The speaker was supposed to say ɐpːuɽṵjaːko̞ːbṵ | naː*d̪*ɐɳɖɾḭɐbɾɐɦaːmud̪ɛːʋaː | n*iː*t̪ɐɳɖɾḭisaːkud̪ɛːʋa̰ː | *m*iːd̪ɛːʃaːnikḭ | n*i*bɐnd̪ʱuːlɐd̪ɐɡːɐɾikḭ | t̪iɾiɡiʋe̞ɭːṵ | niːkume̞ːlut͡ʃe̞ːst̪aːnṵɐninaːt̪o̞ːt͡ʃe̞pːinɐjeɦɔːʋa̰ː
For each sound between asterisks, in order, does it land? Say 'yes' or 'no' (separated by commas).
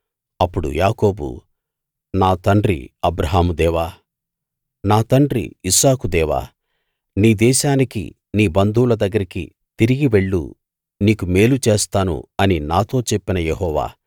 no, no, no, no